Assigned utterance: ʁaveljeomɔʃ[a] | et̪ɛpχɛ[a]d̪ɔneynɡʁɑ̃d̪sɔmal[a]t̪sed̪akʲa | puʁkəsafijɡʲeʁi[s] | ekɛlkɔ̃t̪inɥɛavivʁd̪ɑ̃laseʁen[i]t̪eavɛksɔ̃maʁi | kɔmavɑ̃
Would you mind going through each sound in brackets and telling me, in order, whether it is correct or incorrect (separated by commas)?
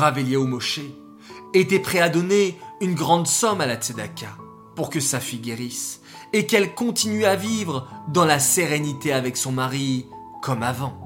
incorrect, correct, correct, correct, correct